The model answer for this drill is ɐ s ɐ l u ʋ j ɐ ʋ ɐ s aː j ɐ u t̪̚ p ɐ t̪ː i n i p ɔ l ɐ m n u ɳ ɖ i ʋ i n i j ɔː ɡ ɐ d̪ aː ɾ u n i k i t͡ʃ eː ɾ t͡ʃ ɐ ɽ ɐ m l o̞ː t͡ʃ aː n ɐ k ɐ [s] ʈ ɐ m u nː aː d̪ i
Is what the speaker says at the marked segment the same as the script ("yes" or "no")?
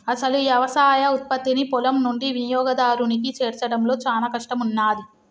no